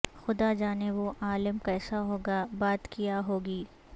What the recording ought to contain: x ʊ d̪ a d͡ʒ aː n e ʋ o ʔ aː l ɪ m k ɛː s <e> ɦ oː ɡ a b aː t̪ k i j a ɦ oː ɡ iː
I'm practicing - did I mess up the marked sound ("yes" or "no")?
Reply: yes